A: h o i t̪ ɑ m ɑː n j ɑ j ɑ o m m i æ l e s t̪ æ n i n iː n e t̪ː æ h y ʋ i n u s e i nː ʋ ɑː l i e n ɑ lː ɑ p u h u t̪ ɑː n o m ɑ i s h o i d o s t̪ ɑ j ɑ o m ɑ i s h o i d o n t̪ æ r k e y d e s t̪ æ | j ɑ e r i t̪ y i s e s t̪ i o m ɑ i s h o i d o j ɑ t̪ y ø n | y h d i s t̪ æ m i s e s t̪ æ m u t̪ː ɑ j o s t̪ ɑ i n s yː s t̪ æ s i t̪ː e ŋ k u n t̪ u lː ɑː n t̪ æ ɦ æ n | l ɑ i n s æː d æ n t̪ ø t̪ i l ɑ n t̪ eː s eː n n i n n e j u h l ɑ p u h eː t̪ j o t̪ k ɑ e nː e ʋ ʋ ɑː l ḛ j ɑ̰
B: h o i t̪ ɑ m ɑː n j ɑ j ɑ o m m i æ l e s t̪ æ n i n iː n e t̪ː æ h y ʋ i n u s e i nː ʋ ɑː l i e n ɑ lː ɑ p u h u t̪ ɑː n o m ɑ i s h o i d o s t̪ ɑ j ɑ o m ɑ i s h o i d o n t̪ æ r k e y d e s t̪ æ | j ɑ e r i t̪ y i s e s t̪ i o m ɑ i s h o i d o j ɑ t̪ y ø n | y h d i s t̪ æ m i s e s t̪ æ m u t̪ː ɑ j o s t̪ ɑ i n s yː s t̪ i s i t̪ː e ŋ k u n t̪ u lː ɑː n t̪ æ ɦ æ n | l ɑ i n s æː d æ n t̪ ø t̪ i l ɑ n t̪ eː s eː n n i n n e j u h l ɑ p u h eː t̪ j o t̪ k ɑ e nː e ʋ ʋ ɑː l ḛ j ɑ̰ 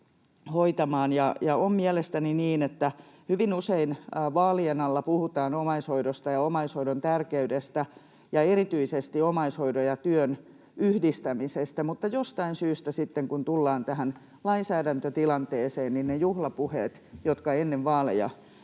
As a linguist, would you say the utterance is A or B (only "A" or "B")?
A